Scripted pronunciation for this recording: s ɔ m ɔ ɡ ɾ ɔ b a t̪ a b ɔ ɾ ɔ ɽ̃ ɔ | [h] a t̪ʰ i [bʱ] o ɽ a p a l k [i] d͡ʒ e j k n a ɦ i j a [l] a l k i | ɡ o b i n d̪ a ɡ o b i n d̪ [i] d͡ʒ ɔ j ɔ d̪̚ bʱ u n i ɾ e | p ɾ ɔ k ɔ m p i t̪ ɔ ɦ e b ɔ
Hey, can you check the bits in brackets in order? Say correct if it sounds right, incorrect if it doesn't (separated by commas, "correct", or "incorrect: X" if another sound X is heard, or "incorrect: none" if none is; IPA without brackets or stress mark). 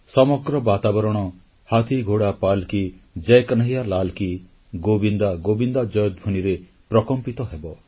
correct, incorrect: ɡʱ, correct, correct, incorrect: a